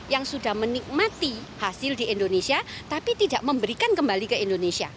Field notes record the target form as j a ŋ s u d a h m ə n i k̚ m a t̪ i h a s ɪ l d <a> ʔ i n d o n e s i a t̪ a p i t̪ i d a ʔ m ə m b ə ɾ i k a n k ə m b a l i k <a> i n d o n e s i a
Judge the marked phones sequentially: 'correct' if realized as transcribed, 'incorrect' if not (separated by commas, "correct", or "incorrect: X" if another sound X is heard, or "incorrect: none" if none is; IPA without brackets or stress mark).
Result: incorrect: i, incorrect: ə